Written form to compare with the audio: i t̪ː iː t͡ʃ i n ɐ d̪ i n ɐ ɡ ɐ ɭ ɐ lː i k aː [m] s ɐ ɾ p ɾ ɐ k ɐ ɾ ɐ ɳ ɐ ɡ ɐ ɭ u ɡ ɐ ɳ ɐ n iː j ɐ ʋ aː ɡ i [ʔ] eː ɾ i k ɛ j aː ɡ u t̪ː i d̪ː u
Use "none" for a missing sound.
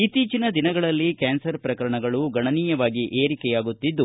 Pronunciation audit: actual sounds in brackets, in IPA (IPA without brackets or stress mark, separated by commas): n, ʔ